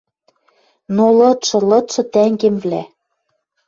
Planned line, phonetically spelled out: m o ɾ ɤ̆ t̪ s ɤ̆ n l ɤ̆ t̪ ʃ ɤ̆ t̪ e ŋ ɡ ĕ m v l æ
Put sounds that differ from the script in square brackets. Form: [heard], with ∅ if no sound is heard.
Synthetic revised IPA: [n] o [l] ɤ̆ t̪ [ʃ] ɤ̆ [∅] l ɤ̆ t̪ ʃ ɤ̆ t̪ [æ] ŋ ɡ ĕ m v l æ